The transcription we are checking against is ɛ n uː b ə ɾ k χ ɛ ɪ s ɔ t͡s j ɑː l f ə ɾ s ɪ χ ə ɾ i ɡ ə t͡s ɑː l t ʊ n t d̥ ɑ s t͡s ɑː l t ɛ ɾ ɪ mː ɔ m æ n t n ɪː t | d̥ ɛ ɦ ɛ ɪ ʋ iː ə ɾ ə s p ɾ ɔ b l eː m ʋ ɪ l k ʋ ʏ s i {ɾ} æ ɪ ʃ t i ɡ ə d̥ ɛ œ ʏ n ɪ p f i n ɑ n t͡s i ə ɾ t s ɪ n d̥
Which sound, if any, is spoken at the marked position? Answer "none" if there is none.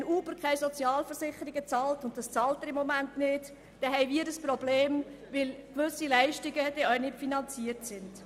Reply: l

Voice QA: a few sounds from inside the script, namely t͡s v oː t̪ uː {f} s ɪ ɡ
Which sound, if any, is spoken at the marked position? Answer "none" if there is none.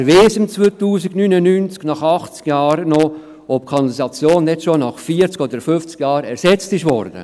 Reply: none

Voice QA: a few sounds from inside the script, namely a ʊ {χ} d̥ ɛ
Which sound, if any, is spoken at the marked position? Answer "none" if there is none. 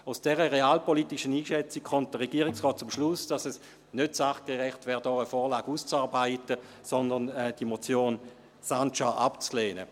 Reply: s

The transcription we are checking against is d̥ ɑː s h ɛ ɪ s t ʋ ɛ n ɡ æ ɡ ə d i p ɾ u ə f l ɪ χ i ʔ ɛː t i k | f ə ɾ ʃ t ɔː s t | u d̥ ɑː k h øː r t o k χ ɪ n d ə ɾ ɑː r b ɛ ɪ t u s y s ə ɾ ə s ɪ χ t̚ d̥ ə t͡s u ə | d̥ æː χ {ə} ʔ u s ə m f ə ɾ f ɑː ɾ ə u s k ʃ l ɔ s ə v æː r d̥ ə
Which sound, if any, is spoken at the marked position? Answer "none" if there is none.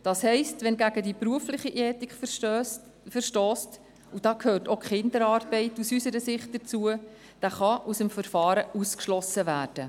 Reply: ɑ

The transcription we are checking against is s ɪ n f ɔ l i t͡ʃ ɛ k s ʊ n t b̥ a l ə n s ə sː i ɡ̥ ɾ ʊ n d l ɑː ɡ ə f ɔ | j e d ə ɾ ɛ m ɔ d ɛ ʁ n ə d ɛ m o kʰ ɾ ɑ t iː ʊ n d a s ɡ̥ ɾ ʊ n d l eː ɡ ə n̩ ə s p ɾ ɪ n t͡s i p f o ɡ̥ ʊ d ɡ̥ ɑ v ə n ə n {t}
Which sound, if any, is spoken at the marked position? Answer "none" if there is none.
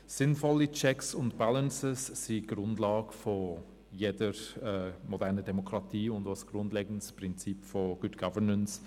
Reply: s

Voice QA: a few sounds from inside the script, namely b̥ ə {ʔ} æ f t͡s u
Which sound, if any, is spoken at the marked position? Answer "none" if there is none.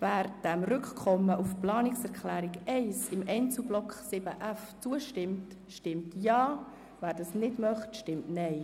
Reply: ʔ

